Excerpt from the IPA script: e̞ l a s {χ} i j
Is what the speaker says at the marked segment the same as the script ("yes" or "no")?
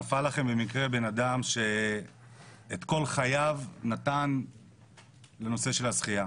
yes